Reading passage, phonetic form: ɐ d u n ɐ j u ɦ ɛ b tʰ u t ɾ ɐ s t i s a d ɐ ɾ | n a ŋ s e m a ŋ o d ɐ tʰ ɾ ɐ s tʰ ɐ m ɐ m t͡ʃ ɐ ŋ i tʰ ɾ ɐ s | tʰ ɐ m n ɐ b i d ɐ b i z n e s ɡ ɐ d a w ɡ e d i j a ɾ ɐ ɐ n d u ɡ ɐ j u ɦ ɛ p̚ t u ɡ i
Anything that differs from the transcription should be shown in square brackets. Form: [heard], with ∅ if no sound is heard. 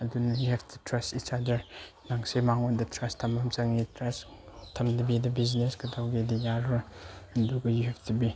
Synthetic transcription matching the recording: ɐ d u n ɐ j u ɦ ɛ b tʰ u t ɾ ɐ s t i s a d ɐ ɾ | n a ŋ s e m a ŋ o d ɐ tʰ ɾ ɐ s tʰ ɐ m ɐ m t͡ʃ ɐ ŋ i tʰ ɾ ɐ s | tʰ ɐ m [d] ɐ b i d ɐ b i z n e s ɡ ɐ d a w ɡ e d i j a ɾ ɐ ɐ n d u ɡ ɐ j u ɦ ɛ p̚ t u [b] i